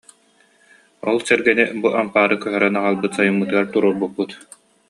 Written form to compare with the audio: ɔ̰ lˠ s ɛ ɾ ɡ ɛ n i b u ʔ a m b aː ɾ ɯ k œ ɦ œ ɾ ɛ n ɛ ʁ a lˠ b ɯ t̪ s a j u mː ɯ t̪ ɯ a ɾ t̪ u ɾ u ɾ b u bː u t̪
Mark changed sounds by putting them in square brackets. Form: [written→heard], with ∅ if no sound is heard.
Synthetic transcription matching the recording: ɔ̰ lˠ s ɛ ɾ ɡ ɛ n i b u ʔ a m [b→p] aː ɾ ɯ k œ ɦ œ ɾ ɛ n [ɛ→a] ʁ a lˠ b ɯ t̪ s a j u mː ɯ t̪ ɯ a ɾ t̪ u ɾ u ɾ b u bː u t̪